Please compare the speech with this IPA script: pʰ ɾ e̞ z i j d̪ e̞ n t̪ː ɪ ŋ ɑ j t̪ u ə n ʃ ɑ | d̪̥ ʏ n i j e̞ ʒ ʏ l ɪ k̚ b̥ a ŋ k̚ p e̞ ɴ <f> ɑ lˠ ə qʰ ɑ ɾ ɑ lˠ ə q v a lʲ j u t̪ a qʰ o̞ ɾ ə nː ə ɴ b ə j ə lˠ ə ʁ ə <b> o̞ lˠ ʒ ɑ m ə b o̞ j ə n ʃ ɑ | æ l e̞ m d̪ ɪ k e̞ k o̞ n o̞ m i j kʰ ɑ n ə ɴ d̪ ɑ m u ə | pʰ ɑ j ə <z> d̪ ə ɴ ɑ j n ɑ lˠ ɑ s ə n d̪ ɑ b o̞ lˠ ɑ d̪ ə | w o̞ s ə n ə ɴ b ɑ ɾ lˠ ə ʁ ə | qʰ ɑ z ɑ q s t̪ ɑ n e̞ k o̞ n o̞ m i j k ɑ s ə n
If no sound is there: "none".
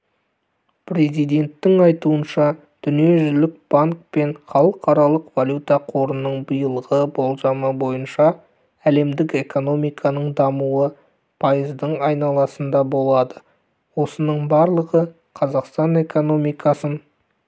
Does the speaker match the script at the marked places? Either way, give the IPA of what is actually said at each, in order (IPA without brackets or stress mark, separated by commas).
χ, b, z